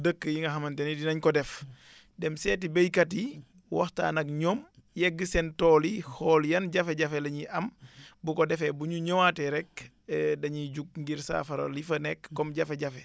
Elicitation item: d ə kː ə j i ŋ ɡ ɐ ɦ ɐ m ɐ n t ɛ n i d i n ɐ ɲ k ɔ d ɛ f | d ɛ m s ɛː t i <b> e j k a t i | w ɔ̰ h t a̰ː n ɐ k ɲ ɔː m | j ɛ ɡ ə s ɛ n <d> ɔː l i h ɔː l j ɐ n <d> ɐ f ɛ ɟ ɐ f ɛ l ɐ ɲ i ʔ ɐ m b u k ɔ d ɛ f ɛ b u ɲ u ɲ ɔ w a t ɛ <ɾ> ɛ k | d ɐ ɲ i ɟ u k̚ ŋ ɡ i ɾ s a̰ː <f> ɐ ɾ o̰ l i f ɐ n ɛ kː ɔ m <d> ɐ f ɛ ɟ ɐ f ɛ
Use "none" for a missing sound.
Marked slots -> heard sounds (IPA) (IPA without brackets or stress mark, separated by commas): b, t, ɟ, ɾ, f, ɟ